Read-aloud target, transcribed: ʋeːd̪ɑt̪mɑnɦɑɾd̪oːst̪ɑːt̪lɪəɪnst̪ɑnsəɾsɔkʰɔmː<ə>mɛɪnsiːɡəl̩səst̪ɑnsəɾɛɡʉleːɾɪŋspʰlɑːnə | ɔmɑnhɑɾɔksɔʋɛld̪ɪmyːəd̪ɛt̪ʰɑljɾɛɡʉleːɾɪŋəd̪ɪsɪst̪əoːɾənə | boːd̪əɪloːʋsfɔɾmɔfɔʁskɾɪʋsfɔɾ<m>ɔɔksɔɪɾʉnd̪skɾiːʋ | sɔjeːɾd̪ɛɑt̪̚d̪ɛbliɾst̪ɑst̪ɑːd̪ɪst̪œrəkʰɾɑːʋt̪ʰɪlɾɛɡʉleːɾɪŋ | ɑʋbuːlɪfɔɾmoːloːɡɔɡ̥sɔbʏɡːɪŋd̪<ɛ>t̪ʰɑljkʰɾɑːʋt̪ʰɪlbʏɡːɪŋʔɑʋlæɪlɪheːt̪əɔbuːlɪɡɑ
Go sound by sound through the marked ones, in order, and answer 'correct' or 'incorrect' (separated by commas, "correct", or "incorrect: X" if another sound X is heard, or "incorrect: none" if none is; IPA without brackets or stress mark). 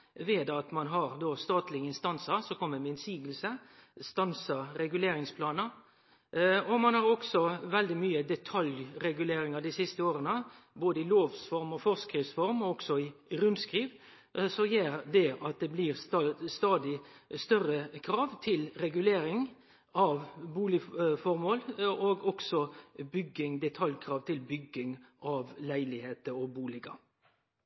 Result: correct, correct, correct